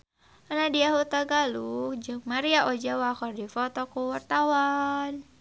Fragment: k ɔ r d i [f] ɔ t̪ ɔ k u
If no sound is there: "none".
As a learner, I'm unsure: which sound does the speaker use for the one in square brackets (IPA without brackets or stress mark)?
f